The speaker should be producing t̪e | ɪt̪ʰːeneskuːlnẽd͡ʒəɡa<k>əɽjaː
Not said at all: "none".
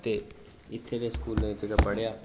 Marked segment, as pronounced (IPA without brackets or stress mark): p